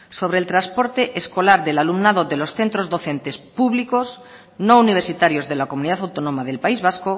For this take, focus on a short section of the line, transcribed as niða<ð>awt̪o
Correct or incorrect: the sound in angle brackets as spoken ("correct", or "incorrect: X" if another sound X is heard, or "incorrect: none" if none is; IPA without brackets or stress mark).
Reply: incorrect: θ